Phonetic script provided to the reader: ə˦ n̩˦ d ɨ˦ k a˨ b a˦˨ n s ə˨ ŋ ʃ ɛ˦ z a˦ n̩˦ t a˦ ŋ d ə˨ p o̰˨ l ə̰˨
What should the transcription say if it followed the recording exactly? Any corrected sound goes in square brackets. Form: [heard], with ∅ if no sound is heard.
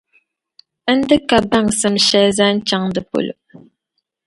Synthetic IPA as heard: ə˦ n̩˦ d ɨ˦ k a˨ b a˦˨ [ŋ] s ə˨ [m] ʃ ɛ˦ z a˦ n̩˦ [t͡ʃ] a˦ ŋ d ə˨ p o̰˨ l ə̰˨